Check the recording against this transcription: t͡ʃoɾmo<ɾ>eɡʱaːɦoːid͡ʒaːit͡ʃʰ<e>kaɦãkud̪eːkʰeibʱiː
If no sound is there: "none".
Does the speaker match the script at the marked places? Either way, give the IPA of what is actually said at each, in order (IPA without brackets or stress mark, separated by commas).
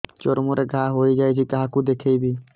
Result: ɾ, i